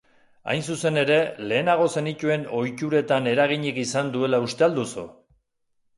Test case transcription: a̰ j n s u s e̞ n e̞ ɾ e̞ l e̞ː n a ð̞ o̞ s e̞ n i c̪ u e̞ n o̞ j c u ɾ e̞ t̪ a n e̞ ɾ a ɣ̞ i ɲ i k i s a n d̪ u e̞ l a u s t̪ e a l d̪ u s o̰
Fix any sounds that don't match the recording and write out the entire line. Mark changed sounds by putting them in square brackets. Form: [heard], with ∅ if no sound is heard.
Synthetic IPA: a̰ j n s u s e̞ n e̞ ɾ e̞ l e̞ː n a [ɣ̞] o̞ s e̞ n i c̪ u e̞ n o̞ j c u ɾ e̞ t̪ a n e̞ ɾ a ɣ̞ i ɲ i k i s a n d̪ u e̞ l a u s t̪ e a l d̪ u s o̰

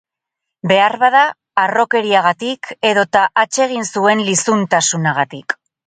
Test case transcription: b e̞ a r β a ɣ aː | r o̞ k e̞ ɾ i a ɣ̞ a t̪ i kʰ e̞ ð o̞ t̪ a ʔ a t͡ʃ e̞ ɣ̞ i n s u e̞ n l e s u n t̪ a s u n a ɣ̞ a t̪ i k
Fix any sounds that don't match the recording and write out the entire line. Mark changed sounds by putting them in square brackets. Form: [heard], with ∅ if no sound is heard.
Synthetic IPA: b e̞ a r β a [ð] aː | r o̞ k e̞ ɾ i a ɣ̞ a t̪ i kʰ e̞ ð o̞ t̪ a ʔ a t͡ʃ e̞ ɣ̞ i n s u e̞ n l [i] s u n t̪ a s u n a ɣ̞ a t̪ i k

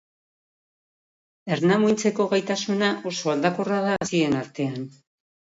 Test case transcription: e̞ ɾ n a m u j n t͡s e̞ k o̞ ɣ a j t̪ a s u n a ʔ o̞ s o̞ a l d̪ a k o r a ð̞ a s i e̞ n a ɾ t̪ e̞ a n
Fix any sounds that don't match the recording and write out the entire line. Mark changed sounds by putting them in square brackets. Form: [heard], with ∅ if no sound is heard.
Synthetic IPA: e̞ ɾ n a m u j n t͡s e̞ k o̞ ɣ a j t̪ a s u n a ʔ o̞ s o̞ a l d̪ a k o r a ð̞ a s i e̞ n a ɾ t̪ e̞ a n

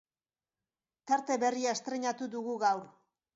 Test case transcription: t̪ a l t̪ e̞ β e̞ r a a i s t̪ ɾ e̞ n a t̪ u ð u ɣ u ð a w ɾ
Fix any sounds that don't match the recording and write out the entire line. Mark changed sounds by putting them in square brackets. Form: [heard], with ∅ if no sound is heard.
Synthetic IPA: t̪ a [ɾ] t̪ e̞ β e̞ r [i] a [e] s t̪ ɾ e̞ [ɲ] a t̪ u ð u ɣ u [ɣ] a w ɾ

